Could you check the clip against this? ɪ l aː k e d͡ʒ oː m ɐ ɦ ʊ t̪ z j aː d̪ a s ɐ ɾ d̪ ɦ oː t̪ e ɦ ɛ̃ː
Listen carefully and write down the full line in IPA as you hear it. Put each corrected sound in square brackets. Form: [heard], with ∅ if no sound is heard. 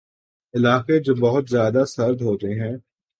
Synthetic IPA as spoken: ɪ l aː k e d͡ʒ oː [b] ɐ ɦ ʊ t̪ z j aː d̪ a s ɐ ɾ d̪ ɦ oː t̪ e ɦ ɛ̃ː